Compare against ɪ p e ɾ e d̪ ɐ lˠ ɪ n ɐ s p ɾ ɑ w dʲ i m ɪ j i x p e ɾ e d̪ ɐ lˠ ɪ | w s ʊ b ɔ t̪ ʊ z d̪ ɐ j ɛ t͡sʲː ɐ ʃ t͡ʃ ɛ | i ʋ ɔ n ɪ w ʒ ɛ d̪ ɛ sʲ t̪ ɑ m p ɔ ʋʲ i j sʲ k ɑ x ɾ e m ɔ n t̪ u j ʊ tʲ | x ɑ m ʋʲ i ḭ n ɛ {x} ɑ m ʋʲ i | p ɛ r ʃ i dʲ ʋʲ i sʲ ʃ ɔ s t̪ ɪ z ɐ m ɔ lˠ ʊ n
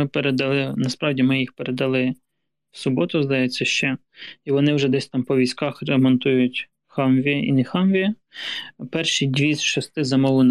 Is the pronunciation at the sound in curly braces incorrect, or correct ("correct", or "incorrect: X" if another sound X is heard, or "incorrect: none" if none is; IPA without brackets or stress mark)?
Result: correct